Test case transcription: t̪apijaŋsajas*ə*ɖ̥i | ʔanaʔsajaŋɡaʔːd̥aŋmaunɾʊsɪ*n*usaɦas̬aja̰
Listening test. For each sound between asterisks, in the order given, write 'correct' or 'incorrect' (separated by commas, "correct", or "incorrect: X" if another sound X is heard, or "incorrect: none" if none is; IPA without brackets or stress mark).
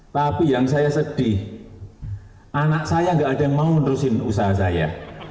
correct, correct